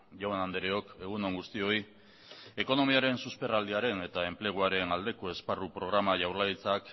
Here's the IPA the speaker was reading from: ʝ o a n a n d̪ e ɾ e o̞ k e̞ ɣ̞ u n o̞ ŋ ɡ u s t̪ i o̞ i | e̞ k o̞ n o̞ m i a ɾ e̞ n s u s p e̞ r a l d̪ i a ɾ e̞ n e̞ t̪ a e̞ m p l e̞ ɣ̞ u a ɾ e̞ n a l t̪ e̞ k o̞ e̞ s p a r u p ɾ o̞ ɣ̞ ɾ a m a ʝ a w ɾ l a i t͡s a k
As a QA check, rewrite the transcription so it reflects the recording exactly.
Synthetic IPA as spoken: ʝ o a n a n d̪ e ɾ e o̞ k e̞ ɣ̞ u n o̞ ŋ ɡ u s t̪ i o̞ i | e̞ k o̞ n o̞ m i a ɾ e̞ n s u s p e̞ r a l d̪ i a ɾ e̞ n e̞ t̪ a e̞ m p l e̞ ɣ̞ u a ɾ e̞ n a l d̪ e̞ k o̞ e̞ s p a r u p ɾ o̞ ɣ̞ ɾ a m a ʝ a w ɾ l a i t͡s a k